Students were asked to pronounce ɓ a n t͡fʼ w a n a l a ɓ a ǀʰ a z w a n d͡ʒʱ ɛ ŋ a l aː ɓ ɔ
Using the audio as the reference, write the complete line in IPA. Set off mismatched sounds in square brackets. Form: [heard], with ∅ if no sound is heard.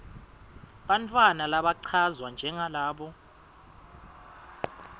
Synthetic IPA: ɓ a n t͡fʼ w a n a l a ɓ a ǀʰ a z w a n d͡ʒʱ ɛ ŋ a l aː ɓ ɔ